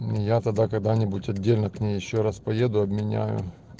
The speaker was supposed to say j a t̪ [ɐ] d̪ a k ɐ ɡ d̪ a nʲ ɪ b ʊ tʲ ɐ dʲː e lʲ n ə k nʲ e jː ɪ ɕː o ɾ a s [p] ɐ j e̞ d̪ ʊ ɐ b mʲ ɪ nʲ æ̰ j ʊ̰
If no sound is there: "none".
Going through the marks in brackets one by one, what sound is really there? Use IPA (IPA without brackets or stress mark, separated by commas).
ɐ, p